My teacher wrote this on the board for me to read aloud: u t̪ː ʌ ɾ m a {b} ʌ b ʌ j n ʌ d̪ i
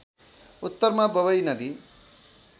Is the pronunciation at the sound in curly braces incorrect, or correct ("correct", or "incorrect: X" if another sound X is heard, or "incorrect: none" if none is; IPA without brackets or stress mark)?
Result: correct